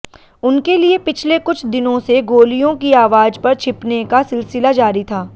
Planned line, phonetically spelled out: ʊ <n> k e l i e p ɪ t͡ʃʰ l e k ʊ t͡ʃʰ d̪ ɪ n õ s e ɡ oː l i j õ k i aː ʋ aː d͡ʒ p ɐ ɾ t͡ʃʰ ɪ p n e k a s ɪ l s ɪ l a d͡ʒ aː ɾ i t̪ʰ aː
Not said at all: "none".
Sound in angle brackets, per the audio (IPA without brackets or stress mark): n